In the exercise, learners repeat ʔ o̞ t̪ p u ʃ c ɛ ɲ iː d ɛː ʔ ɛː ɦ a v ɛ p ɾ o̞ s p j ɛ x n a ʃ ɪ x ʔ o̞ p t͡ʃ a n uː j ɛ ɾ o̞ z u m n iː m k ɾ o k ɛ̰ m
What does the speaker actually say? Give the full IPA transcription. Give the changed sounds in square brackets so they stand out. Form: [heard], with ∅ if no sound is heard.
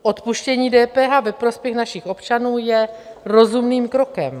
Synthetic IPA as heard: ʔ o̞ t̪ p u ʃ c ɛ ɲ iː d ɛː [p] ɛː ɦ a v ɛ p ɾ o̞ s p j ɛ x n a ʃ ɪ x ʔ o̞ p t͡ʃ a n uː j ɛ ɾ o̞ z u m n iː m k ɾ o k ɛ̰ m